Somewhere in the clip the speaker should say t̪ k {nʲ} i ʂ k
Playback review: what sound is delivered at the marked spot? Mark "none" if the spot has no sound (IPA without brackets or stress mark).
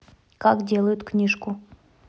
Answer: nʲ